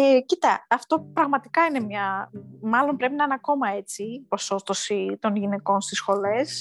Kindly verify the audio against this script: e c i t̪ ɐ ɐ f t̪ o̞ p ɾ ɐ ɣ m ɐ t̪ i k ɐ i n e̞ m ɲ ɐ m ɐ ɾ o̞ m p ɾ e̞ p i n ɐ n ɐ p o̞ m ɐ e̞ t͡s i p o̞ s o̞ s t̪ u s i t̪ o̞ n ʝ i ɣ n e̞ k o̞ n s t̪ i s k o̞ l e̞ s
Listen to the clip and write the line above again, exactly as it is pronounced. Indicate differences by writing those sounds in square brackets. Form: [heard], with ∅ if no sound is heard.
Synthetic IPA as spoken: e c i t̪ ɐ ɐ f t̪ o̞ p ɾ ɐ ɣ m ɐ t̪ i k ɐ i n e̞ m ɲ ɐ m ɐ [l] o̞ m p ɾ e̞ p i n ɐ n ɐ [k] o̞ m ɐ e̞ t͡s i p o̞ s o̞ s t̪ [o] s i t̪ o̞ n ʝ i [∅] n e̞ k o̞ n s t̪ i s [x] o̞ l e̞ s